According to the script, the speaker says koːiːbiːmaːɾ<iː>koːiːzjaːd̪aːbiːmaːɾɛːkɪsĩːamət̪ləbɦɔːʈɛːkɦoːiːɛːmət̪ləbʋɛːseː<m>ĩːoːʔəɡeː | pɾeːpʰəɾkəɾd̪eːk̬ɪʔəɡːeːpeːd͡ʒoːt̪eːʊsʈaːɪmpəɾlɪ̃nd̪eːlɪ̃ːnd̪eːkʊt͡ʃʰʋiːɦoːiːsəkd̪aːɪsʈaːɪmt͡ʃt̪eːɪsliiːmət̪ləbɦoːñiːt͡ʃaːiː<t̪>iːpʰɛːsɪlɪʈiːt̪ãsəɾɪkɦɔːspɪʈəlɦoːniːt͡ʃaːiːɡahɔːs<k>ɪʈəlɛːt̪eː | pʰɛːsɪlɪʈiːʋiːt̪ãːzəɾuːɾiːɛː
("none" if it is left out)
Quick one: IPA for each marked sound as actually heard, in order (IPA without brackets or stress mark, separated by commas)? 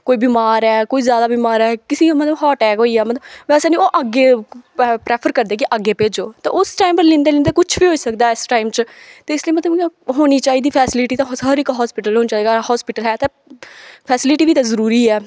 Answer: ɛː, n, d̪, p